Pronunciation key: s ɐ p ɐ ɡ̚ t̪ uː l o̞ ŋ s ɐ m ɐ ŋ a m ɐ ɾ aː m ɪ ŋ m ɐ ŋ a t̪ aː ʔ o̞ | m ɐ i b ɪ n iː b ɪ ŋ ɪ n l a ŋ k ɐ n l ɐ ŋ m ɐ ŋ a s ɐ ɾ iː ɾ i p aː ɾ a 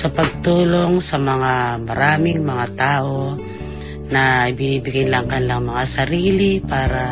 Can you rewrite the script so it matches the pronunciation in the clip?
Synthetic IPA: s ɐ p ɐ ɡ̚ t̪ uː l o̞ ŋ s ɐ m ɐ ŋ a m ɐ ɾ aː m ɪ ŋ m ɐ ŋ a t̪ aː ʔ o̞ | n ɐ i b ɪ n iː b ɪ ɡ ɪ n l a ŋ k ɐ n l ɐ ŋ m ɐ ŋ a s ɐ ɾ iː l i p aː ɾ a